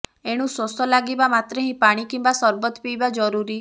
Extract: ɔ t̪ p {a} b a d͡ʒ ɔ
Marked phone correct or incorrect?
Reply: incorrect: i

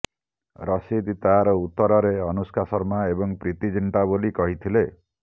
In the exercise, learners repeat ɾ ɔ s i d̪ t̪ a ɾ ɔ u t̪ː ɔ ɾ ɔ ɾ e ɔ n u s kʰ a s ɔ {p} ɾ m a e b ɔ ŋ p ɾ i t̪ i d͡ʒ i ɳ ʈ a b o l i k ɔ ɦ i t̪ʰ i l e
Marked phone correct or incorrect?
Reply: incorrect: none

